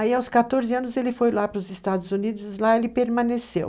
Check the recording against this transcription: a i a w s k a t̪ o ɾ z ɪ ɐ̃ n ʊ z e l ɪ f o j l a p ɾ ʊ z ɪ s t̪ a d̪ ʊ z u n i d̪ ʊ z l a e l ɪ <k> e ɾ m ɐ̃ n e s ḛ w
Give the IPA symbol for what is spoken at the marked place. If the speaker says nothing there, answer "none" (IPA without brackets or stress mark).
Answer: p